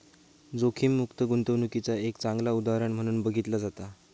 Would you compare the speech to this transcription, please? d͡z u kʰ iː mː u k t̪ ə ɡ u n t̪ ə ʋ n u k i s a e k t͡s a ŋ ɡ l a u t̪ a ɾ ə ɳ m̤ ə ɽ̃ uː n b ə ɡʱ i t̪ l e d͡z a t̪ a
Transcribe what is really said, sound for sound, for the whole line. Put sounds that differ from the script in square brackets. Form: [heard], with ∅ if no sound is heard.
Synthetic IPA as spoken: d͡z [o] kʰ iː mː u k t̪ ə ɡ u n t̪ ə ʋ n u k i [t͡s] a e k t͡s a ŋ ɡ l a u [d̪] a ɾ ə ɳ m̤ ə ɽ̃ uː n b ə ɡʱ i t̪ l [a] d͡z a t̪ a